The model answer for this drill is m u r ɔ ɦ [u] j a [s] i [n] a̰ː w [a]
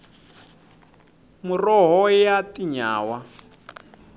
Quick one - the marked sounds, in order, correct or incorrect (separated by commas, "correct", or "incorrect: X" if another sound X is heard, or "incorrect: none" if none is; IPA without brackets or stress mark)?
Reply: incorrect: ɔ, incorrect: t, incorrect: ɲ, correct